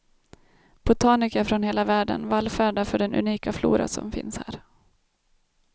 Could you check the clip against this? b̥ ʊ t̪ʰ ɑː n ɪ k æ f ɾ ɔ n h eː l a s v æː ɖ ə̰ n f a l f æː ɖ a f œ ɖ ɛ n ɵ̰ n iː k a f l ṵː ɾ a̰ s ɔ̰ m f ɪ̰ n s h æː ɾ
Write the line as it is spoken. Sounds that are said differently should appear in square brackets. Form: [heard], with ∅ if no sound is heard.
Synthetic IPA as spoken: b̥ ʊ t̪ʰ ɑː n ɪ k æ f ɾ ɔ n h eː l a [∅] v æː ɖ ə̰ n [v] a l f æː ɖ a f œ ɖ ɛ n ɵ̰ n iː k a f l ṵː ɾ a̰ s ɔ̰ m f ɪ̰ n s h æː ɾ

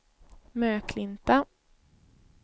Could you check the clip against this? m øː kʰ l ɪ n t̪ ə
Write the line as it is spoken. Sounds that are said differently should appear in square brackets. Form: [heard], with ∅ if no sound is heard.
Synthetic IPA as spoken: m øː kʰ l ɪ n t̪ [a]

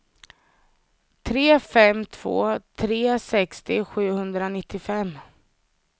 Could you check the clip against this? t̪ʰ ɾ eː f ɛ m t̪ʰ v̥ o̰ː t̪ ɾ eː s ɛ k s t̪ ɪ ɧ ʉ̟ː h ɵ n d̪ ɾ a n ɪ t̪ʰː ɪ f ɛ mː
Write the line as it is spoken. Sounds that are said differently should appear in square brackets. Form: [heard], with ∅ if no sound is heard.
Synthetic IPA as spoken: t̪ʰ ɾ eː f ɛ m t̪ʰ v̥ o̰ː [t̪ʰ] ɾ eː s ɛ k s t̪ ɪ ɧ ʉ̟ː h ɵ n d̪ ɾ a n ɪ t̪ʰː ɪ f ɛ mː

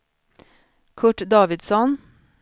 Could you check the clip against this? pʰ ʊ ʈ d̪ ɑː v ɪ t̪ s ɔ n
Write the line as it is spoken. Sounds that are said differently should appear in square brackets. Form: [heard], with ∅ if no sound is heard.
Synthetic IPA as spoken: [kʰ] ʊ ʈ d̪ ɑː [ʋ] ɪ [d̪] s ɔ n

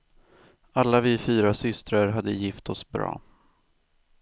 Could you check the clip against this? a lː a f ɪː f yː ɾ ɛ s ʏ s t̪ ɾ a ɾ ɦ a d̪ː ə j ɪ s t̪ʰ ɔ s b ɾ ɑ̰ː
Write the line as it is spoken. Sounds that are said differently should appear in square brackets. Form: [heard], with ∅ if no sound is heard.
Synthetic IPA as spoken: a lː a [v] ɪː f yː ɾ [a] s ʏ s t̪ ɾ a ɾ ɦ a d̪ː ə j ɪ [f] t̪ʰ ɔ s b ɾ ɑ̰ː

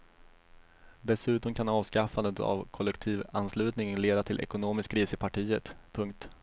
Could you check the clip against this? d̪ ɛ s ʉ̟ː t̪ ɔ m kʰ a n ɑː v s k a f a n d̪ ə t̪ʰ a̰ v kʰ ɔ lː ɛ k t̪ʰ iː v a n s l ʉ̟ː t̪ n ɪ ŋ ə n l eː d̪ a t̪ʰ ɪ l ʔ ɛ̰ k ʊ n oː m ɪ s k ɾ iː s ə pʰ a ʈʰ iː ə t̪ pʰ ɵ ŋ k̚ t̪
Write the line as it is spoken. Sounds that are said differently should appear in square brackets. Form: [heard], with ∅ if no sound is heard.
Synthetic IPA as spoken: d̪ ɛ s ʉ̟ː t̪ ɔ m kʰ a n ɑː v s k a f a n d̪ ə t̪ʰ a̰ v kʰ ɔ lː ɛ k t̪ʰ iː v a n s l ʉ̟ː t̪ n ɪ ŋ ə n l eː d̪ a t̪ʰ ɪ l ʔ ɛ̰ k ʊ n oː m ɪ s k ɾ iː s ə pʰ a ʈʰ iː ə t̪ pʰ ɵ ŋ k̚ t̪

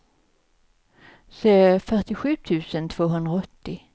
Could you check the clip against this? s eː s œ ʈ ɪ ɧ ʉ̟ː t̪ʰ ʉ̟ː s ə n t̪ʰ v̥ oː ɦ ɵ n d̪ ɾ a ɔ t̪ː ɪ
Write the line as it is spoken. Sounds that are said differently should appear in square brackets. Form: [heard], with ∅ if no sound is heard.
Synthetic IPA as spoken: s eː [f] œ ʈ ɪ ɧ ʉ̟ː t̪ʰ ʉ̟ː s ə n t̪ʰ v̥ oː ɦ ɵ n d̪ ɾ a ɔ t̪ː ɪ

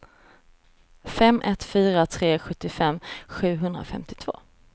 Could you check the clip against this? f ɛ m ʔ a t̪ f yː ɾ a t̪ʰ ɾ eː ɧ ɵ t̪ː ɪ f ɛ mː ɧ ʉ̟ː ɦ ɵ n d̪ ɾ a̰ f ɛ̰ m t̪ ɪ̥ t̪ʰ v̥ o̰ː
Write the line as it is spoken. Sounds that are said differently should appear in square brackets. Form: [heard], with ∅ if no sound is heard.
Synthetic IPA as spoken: f ɛ m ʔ [ɛ] t̪ f yː ɾ a t̪ʰ ɾ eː ɧ ɵ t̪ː ɪ f ɛ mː ɧ ʉ̟ː ɦ ɵ n d̪ ɾ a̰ f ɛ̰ m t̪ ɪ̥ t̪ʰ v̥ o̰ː

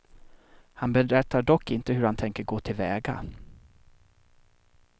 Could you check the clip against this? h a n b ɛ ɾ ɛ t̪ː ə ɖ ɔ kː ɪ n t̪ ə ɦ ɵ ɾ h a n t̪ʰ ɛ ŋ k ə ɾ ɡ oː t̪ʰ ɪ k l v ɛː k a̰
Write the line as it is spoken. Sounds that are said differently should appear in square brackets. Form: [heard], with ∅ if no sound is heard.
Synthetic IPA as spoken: h a n b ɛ ɾ ɛ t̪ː [a] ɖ ɔ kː ɪ n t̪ ə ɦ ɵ ɾ h a n t̪ʰ ɛ ŋ k ə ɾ ɡ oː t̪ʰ ɪ [∅] l v ɛː [ɡ] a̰

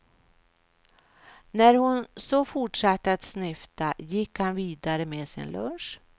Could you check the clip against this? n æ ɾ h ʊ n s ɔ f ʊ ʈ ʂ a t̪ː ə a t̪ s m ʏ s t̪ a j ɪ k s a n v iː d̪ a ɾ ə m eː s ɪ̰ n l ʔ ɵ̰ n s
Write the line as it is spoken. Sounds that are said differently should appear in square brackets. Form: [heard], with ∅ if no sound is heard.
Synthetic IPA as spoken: n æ ɾ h ʊ n s ɔ f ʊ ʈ ʂ a t̪ː ə a t̪ s [n] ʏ [f] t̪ a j ɪ k [h] a n v iː d̪ a ɾ ə m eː s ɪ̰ n l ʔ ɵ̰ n [ʂ]

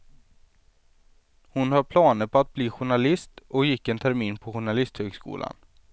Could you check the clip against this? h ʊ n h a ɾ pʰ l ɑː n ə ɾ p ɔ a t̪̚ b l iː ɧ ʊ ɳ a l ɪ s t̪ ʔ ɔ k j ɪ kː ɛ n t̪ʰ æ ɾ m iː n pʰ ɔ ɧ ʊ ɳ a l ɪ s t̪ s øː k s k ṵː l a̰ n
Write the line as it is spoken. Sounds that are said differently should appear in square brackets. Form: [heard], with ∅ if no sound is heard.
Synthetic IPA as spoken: h ʊ n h a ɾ pʰ l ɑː n ə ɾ p ɔ a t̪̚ b l iː ɧ ʊ ɳ a l ɪ s t̪ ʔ ɔ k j ɪ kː ɛ n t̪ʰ æ ɾ m iː n pʰ ɔ ɧ ʊ ɳ a l ɪ s t̪ [h] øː [ɡ] s k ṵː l a̰ n

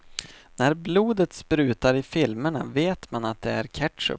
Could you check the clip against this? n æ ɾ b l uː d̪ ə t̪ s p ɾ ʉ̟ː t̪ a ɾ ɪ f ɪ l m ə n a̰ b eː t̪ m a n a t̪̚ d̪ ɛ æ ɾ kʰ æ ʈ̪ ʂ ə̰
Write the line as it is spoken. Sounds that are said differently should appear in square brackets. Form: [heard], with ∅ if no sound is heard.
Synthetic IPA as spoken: n æ ɾ b l uː d̪ ə t̪ s p ɾ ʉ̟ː t̪ a ɾ ɪ f ɪ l m ə [ɳ] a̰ [v] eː t̪ m a n a t̪̚ d̪ ɛ æ ɾ kʰ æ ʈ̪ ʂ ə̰

